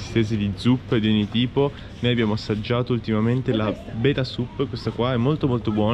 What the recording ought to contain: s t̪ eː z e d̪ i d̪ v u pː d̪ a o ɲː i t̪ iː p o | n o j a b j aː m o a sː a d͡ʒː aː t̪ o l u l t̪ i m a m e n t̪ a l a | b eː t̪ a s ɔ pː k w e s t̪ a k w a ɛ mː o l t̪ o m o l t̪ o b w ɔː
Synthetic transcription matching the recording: s t̪ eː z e d̪ i d̪ z u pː d̪ i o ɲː i t̪ iː p o | n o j a b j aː m o a sː a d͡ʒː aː t̪ o u l t̪ i m a m e n t̪ e l a | b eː t̪ a s u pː k w e s t̪ a k w a ɛ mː o l t̪ o m o l t̪ o b w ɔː